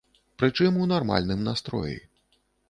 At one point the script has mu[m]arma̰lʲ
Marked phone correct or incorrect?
incorrect